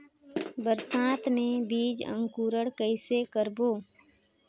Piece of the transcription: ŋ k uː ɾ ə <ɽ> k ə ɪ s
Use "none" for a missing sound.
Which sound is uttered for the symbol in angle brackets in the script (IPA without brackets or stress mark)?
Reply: ɽ